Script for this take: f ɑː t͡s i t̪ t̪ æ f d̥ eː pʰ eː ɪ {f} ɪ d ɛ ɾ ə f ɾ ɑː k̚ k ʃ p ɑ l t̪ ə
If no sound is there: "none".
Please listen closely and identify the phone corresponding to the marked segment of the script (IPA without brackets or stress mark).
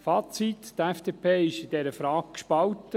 ʃ